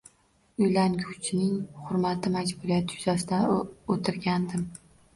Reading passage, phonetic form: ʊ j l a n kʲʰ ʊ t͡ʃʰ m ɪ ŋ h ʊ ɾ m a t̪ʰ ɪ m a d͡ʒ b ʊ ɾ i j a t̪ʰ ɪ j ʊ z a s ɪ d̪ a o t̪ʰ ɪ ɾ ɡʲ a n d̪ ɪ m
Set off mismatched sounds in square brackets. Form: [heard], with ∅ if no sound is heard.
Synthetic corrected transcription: ʊ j l a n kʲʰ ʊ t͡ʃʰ [n] ɪ ŋ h ʊ ɾ m a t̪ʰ ɪ m a d͡ʒ b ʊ ɾ i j a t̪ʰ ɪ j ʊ z a s ɪ d̪ a o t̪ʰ ɪ ɾ ɡʲ a n d̪ ɪ m